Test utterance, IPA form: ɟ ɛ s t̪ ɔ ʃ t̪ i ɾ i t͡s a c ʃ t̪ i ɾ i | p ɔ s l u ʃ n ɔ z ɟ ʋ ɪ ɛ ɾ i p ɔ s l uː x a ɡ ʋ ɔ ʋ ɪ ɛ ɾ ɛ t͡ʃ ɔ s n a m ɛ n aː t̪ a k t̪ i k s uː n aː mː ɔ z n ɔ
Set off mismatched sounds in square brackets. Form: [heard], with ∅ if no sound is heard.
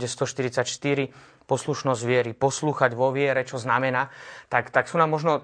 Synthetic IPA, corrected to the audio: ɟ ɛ s t̪ ɔ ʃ t̪ i ɾ i t͡s a c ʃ t̪ i ɾ i | p ɔ s l u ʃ n ɔ z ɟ ʋ ɪ ɛ ɾ i p ɔ s l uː x a [ɟ] ʋ ɔ ʋ ɪ ɛ ɾ ɛ t͡ʃ ɔ [z] n a m ɛ n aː t̪ a k t̪ [a] k s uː n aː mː ɔ [ʒ] n ɔ